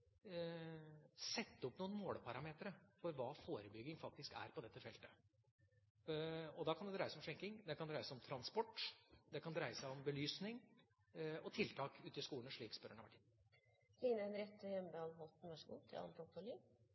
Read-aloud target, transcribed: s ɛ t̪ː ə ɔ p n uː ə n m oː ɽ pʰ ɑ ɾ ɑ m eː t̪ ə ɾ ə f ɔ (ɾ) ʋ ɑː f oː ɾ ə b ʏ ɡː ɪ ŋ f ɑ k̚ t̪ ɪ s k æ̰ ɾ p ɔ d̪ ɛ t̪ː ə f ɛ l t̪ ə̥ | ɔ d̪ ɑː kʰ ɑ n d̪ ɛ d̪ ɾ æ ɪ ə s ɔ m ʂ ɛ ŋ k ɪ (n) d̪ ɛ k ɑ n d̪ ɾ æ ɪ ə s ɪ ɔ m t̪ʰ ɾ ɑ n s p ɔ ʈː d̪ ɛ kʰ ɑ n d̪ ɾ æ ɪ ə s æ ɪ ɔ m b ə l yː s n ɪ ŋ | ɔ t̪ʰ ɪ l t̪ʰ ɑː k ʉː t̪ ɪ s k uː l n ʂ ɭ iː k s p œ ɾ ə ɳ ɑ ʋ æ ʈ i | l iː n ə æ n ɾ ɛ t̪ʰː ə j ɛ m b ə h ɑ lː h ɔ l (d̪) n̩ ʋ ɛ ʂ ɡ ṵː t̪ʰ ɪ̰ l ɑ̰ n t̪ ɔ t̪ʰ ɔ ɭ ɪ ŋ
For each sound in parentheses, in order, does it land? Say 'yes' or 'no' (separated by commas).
yes, no, no